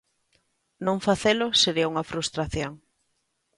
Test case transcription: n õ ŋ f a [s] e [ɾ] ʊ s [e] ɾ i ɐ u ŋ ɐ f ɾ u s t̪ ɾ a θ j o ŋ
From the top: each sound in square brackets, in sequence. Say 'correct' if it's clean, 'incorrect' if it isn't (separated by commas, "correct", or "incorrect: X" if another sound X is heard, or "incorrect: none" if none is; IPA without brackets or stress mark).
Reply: incorrect: θ, incorrect: l, correct